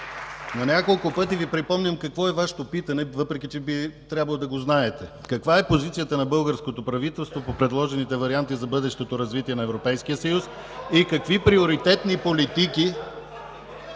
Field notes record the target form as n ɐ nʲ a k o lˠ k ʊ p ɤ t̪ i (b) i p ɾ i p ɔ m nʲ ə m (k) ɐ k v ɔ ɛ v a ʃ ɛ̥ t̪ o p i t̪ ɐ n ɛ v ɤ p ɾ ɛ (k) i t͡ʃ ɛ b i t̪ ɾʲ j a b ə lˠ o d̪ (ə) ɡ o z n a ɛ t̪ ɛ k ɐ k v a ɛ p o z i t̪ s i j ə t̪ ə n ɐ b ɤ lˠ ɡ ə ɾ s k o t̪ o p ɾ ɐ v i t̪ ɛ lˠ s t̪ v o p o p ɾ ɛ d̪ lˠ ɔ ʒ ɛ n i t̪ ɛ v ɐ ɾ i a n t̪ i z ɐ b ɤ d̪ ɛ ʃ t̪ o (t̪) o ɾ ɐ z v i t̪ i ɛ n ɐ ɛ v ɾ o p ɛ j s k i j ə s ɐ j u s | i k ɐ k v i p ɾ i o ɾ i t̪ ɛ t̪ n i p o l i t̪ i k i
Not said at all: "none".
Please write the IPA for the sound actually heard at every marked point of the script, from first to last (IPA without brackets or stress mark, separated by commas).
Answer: v, k, k, ɐ, t̪